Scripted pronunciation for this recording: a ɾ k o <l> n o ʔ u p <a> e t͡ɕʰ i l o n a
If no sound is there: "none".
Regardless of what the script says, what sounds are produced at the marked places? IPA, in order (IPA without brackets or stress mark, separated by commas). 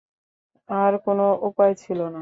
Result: none, a